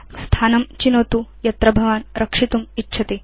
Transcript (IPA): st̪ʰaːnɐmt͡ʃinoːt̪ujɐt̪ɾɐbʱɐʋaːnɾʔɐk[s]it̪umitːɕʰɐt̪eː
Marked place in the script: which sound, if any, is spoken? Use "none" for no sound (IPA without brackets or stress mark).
ʂ